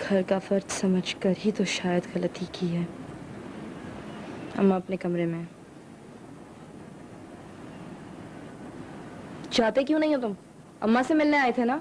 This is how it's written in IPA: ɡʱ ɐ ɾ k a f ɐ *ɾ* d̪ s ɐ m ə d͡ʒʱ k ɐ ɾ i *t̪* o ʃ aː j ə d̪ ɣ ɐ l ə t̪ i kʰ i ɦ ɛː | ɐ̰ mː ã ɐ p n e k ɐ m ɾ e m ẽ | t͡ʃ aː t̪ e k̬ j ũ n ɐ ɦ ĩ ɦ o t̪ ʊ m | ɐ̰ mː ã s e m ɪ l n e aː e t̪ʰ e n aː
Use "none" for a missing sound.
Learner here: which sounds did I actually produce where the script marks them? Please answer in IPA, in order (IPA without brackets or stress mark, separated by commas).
ɾ, t̪